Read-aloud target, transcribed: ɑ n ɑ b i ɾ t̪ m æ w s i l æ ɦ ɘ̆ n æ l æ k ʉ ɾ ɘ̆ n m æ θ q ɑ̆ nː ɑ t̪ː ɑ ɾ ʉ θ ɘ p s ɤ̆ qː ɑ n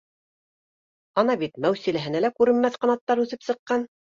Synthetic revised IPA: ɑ n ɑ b i t̪ m æ w s i l æ ɦ ɘ̆ n æ l æ k ʉ ɾ ɘ̆ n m æ θ q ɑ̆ n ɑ t̪ː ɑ ɾ ʉ θ ɘ p s ɤ̆ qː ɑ n